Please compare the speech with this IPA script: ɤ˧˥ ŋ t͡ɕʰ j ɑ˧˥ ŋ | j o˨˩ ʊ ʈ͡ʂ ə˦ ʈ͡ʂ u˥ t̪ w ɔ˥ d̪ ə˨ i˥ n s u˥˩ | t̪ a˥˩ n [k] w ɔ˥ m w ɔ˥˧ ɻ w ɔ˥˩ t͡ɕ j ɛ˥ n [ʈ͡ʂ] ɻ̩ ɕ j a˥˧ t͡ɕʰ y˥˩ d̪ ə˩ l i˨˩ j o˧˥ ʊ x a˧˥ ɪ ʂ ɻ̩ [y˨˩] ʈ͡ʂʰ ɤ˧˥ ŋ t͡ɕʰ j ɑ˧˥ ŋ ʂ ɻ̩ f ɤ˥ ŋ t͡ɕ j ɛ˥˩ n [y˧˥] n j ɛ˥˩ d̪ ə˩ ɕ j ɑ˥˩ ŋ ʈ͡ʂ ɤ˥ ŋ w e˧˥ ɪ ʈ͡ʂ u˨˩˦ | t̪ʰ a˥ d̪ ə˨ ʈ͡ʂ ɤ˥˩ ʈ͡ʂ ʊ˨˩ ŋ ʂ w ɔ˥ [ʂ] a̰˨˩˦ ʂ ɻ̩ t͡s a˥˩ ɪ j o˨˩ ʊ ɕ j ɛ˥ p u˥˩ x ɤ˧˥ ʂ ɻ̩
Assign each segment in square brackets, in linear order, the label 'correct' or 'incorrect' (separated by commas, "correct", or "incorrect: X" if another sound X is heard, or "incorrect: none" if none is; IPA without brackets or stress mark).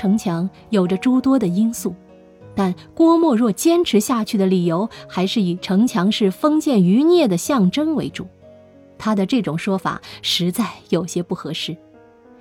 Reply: correct, incorrect: ʈ͡ʂʰ, incorrect: i˨˩, correct, incorrect: f